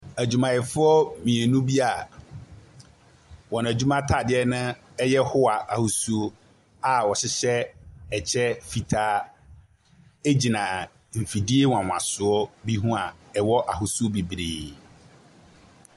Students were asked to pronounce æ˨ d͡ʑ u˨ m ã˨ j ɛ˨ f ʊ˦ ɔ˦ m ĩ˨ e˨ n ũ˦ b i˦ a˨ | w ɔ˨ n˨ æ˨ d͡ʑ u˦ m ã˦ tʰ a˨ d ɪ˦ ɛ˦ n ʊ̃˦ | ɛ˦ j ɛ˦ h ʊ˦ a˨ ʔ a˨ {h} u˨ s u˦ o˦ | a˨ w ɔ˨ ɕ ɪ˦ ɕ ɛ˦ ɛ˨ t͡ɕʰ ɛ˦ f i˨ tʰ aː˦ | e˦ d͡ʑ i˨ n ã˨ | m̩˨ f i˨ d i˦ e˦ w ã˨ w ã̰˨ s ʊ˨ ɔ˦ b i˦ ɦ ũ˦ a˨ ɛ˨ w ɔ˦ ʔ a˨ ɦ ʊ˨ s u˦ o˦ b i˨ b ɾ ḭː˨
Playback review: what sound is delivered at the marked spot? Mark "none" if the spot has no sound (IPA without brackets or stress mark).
h